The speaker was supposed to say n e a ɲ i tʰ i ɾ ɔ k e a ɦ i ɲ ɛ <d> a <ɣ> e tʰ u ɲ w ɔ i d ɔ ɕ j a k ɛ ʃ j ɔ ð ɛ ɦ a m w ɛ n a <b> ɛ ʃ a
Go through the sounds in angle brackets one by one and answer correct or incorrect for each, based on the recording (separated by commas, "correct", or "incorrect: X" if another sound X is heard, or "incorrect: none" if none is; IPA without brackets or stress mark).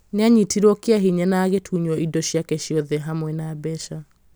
incorrect: n, correct, correct